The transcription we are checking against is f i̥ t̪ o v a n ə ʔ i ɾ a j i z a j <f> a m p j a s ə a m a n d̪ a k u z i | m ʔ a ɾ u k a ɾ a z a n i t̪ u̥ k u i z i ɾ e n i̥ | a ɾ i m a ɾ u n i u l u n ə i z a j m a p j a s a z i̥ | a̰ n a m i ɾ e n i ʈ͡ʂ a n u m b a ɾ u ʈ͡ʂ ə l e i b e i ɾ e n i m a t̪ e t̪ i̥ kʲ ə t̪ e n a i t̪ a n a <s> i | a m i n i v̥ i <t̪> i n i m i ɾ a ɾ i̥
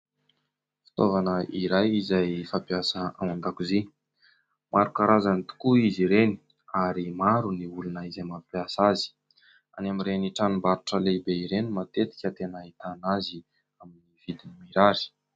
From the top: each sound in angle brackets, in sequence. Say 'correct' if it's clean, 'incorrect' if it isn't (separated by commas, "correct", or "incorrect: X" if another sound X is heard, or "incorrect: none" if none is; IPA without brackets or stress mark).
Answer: correct, incorrect: z, incorrect: d̪